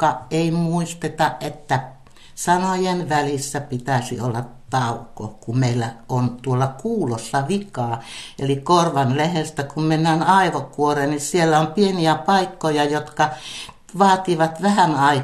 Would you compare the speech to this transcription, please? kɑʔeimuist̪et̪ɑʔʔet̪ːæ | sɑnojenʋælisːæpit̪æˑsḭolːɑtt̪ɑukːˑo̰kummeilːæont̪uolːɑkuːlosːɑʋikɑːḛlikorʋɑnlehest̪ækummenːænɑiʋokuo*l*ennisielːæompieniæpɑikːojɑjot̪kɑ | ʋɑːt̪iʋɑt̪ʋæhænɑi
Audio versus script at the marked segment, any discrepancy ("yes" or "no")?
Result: yes